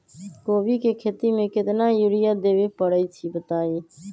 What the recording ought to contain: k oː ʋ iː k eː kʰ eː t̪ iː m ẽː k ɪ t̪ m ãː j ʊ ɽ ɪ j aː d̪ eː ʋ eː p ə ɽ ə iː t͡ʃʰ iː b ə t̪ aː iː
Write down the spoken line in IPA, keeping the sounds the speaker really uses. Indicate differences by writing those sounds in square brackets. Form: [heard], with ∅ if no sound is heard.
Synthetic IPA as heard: k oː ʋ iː k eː kʰ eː t̪ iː m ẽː k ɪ t̪ [n] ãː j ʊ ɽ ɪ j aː d̪ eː ʋ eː p ə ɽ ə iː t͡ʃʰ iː b ə t̪ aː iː